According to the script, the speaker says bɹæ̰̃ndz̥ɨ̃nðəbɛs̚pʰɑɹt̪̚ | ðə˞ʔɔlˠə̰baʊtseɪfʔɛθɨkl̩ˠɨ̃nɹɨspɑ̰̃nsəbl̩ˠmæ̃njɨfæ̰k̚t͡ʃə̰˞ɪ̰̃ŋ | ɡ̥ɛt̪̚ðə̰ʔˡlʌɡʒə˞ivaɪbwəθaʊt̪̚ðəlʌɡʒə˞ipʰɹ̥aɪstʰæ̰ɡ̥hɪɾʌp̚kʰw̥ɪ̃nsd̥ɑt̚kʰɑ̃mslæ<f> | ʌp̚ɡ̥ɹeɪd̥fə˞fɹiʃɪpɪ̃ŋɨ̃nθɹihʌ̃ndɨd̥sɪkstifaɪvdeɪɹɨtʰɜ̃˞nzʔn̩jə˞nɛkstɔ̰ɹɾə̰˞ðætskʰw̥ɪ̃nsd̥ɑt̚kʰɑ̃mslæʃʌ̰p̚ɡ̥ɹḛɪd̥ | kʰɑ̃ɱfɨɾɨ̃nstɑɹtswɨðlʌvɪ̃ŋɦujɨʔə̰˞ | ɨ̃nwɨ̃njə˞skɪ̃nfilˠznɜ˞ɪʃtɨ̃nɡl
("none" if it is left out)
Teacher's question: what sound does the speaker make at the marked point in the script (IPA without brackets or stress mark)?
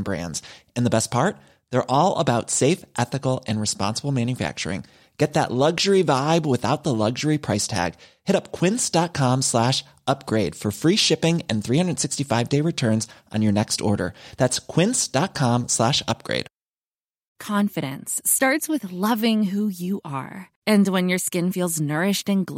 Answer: ʃ